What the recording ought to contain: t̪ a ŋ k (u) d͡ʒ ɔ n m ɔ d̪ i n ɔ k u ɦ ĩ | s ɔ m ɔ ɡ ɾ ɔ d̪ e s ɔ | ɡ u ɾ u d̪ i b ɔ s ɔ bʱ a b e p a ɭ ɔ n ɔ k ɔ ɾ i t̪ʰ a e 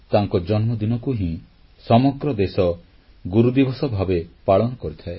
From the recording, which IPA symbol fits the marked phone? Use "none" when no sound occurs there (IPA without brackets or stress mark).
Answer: ɔ